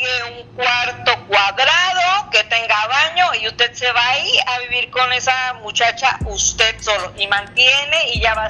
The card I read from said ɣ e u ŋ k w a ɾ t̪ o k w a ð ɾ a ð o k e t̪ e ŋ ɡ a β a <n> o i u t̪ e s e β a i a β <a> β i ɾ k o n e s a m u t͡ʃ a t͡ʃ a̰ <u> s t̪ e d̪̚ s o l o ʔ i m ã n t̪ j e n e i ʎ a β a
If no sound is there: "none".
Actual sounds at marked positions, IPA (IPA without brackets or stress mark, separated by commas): ɲ, i, u